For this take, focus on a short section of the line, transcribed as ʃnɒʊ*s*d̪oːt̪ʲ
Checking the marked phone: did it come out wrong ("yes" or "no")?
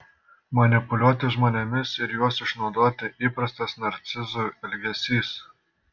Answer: yes